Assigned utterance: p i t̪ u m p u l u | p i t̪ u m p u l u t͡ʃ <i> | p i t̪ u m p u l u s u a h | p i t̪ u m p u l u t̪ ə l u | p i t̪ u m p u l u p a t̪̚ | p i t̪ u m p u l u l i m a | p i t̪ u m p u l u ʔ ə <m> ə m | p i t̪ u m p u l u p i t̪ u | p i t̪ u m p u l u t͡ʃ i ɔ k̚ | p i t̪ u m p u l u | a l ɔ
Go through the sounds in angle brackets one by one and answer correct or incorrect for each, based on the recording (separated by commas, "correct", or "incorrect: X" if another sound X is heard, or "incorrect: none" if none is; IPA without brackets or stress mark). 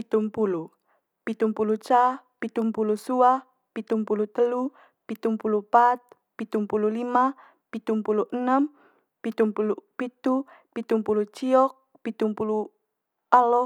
incorrect: a, incorrect: n